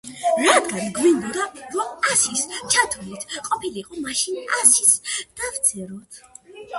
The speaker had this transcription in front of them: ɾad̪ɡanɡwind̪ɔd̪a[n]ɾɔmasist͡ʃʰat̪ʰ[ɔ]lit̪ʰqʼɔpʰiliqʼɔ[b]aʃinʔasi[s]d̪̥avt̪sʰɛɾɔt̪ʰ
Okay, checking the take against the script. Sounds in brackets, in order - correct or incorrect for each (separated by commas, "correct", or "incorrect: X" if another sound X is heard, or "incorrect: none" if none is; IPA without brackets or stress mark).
incorrect: none, incorrect: u, incorrect: m, correct